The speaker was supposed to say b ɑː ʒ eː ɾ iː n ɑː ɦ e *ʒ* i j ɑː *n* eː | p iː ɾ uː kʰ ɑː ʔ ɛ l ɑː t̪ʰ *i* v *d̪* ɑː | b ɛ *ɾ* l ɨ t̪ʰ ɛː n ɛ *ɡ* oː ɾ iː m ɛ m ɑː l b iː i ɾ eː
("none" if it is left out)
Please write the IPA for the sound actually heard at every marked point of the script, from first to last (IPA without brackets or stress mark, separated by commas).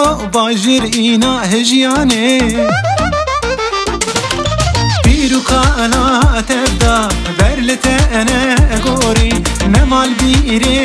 ʒ, n, ɛ, d̪, ɾ, ɡ